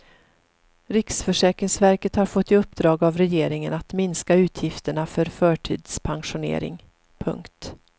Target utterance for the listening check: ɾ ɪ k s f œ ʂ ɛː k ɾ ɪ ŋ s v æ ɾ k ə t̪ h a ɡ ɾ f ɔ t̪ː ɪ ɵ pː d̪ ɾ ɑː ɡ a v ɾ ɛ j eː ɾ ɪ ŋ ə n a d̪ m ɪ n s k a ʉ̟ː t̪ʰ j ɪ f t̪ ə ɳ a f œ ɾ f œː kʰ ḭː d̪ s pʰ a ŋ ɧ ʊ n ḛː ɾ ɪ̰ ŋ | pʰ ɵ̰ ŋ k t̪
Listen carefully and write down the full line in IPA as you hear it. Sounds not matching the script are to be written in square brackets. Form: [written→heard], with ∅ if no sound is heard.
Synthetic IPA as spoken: ɾ ɪ k s f œ ʂ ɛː k ɾ ɪ ŋ s v æ ɾ k ə t̪ h a [ɡ→∅] ɾ f ɔ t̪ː ɪ ɵ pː d̪ ɾ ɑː ɡ a v ɾ ɛ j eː ɾ ɪ ŋ ə n a [d̪→t̪] m ɪ n s k a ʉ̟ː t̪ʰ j ɪ f t̪ ə ɳ a f œ ɾ f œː [kʰ→ʈʰ] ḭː d̪ s pʰ a ŋ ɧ ʊ n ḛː ɾ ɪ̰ ŋ | pʰ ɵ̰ ŋ k t̪